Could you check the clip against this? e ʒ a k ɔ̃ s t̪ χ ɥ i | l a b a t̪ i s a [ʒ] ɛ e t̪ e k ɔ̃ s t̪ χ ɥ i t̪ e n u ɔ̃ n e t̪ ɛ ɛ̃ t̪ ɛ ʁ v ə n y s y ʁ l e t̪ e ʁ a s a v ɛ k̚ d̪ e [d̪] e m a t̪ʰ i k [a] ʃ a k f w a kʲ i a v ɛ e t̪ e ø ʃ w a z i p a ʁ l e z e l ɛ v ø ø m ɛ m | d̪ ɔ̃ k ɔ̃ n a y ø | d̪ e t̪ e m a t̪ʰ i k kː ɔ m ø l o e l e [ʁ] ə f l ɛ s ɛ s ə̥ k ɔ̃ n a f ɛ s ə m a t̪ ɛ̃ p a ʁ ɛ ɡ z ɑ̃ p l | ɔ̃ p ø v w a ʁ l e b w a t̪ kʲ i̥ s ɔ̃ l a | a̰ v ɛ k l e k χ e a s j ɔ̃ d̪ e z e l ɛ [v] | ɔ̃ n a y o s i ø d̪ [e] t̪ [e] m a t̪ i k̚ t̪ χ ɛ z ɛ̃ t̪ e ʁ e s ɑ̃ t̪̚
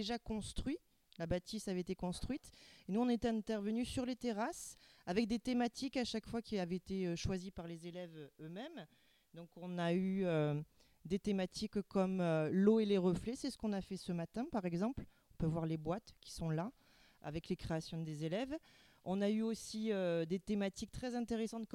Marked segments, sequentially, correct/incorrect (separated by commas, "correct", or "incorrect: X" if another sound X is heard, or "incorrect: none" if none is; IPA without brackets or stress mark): incorrect: v, incorrect: t̪, correct, correct, correct, correct, correct